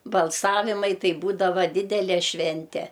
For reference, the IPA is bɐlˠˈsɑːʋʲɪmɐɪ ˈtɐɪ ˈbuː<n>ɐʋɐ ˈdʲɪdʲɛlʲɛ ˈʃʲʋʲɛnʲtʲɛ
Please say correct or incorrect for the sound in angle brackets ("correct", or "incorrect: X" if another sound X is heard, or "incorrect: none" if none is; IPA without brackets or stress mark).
incorrect: d